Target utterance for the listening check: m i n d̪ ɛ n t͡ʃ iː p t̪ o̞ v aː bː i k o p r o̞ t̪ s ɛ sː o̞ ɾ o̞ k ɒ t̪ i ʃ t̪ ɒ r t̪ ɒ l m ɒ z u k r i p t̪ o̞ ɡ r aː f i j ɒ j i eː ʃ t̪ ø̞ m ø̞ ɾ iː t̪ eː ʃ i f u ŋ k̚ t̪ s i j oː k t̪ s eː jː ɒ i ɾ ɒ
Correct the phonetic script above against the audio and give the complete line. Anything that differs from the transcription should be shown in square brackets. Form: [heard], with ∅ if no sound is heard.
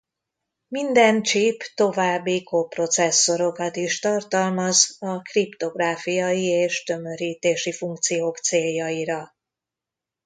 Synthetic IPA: m i n d̪ ɛ n t͡ʃ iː p t̪ o̞ v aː bː i k o p r o̞ t̪ s ɛ sː o̞ ɾ o̞ k ɒ t̪ i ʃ t̪ ɒ r t̪ ɒ l m ɒ z [ɒ] k r i p t̪ o̞ ɡ r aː f i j ɒ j i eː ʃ t̪ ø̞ m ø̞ ɾ iː t̪ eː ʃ i f u ŋ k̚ t̪ s i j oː k t̪ s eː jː ɒ i ɾ ɒ